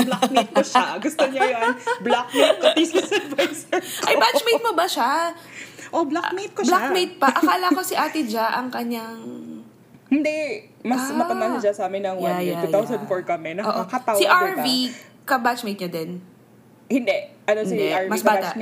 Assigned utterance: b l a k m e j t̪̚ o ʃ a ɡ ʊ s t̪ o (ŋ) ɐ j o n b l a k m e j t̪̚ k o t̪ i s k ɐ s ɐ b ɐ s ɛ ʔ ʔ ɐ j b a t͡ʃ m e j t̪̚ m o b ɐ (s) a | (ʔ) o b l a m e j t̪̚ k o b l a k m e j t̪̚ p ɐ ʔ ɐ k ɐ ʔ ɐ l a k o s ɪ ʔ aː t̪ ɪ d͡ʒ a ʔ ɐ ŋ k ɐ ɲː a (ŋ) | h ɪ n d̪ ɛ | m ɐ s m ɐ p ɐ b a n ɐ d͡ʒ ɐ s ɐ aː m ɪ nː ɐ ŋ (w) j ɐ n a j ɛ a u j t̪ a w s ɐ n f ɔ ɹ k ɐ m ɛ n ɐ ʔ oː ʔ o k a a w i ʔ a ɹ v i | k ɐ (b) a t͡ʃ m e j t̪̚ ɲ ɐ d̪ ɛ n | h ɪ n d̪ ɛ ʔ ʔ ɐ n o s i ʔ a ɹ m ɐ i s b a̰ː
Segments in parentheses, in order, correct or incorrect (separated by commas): incorrect, incorrect, correct, correct, correct, correct